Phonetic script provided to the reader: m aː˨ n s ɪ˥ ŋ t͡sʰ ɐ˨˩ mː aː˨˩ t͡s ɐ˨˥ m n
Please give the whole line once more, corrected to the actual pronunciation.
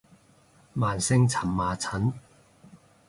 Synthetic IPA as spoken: m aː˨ n s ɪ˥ ŋ t͡sʰ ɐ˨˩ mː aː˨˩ t͡sʰ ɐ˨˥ n